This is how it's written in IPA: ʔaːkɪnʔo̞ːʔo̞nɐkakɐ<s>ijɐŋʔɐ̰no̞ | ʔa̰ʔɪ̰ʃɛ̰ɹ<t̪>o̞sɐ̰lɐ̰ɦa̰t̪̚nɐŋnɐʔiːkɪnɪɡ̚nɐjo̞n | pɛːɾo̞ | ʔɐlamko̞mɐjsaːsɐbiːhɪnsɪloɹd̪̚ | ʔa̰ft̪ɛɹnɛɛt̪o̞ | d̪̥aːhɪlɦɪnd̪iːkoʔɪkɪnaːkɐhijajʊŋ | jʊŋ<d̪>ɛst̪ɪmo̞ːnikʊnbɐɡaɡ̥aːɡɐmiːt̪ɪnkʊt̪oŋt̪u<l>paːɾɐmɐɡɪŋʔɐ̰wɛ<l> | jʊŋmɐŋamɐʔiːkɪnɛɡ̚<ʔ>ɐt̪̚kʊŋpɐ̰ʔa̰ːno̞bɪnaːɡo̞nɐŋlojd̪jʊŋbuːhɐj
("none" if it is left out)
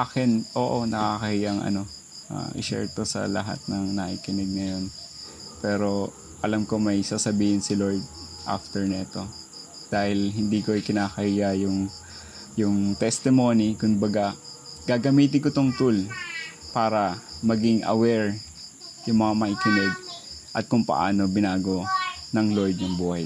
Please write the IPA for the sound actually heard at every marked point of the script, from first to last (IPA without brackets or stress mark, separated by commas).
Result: h, t̪, t̪, l, ɹ, ʔ